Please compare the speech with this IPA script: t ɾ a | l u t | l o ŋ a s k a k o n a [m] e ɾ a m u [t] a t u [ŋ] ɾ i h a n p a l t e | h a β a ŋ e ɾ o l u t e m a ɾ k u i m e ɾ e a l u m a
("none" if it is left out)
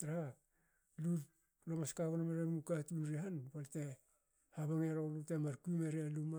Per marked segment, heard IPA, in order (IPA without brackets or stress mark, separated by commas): m, k, n